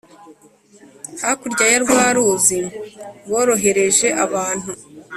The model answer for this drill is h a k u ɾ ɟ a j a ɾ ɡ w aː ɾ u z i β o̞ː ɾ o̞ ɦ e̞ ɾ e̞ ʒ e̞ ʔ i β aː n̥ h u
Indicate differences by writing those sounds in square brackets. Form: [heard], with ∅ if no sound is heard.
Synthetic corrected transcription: h a k u ɾ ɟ a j a ɾ ɡ w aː ɾ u z i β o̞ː ɾ o̞ ɦ e̞ ɾ e̞ ʒ e̞ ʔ [a] β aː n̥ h u